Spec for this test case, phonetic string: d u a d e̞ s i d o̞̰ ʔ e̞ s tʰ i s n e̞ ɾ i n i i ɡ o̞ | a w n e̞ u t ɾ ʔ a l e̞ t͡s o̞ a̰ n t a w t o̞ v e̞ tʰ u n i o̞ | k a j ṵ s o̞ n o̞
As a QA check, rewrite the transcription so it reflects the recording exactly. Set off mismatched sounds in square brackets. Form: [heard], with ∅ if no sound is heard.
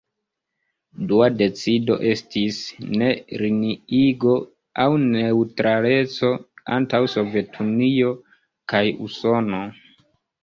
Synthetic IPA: d u a d e̞ [t͡s] i d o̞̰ ʔ e̞ s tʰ i s n e̞ ɾ i n i i ɡ o̞ | a w n e̞ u t ɾ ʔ a l e̞ t͡s o̞ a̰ n t a w [s] o̞ v e̞ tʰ u n i o̞ | k a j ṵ s o̞ n o̞

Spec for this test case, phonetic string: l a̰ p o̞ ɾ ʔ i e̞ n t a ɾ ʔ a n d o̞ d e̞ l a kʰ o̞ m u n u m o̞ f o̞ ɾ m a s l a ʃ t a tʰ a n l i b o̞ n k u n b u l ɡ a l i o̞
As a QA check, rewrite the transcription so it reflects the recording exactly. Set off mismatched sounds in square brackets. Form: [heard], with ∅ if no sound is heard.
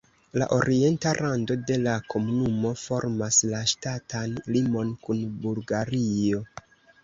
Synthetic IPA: l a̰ [ʔ] o̞ ɾ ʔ i e̞ n t a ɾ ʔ a n d o̞ d e̞ l a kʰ o̞ m u n u m o̞ f o̞ ɾ m a s l a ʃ t a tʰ a n l i [m] o̞ n k u n b u l ɡ a [ɾ] i o̞

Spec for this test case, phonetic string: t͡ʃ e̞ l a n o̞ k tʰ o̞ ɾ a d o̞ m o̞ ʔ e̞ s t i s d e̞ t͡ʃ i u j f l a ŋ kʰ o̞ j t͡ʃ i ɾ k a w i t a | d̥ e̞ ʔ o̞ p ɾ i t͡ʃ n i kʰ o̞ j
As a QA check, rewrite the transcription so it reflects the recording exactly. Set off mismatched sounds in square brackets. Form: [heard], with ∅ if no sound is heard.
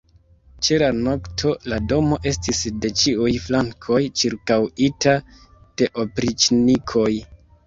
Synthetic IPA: t͡ʃ e̞ l a n o̞ k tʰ o̞ [l] a d o̞ m o̞ ʔ e̞ s t i s d e̞ t͡ʃ i u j f l a ŋ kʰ o̞ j t͡ʃ i ɾ k a w i t a | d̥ e̞ ʔ o̞ p ɾ i t͡ʃ n i kʰ o̞ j

